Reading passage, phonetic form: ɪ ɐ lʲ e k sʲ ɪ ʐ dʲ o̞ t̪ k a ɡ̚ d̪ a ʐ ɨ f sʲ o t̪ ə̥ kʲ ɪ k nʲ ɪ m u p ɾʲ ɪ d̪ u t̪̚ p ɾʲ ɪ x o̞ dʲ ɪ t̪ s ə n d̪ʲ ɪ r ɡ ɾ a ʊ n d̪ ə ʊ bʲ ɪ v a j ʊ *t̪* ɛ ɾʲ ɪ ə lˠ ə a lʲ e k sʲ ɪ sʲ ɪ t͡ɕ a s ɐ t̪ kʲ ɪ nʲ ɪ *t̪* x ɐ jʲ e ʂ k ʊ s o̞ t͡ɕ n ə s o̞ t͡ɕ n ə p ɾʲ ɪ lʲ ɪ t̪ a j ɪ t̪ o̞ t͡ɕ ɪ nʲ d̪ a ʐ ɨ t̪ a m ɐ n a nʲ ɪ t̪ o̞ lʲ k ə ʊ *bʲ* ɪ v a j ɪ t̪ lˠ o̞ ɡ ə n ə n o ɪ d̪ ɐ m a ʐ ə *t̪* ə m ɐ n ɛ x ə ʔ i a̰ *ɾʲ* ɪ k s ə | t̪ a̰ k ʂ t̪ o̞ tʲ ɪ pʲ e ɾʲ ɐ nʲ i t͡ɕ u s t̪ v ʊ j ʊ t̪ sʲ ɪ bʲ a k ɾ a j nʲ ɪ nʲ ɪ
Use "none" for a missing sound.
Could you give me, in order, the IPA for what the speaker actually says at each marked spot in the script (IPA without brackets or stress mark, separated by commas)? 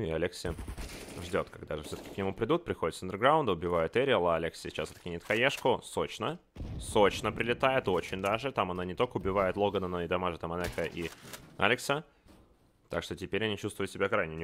t̪, t̪, bʲ, t̪, lʲ